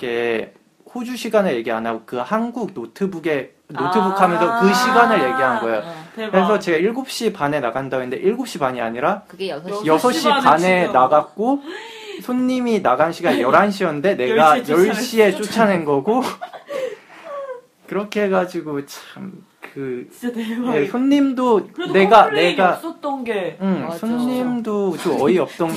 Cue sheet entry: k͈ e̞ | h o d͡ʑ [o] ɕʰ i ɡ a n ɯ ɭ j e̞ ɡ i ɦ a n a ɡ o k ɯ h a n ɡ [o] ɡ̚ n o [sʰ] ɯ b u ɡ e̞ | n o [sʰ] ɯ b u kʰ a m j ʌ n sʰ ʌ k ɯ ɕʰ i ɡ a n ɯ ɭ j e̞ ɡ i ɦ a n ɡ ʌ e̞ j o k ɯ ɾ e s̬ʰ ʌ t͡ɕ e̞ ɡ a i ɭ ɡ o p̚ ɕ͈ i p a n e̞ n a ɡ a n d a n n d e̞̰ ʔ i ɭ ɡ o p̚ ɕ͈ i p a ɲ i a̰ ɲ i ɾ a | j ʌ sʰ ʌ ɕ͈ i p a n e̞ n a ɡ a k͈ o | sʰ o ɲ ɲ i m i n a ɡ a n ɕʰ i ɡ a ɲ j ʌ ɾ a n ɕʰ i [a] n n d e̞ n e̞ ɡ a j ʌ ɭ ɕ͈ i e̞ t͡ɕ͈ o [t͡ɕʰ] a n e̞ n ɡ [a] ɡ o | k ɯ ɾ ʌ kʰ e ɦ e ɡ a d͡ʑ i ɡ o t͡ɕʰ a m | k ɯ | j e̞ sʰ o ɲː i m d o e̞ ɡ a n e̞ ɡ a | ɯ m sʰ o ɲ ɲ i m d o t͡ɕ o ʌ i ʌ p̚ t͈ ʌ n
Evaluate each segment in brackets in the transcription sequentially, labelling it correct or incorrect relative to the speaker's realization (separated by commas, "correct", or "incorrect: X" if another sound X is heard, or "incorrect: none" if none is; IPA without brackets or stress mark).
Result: incorrect: u, incorrect: u, incorrect: tʰ, incorrect: tʰ, incorrect: ʌ, correct, incorrect: ʌ